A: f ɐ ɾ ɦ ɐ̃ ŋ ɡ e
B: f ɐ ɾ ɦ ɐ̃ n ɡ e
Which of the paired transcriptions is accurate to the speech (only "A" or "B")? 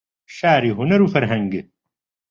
A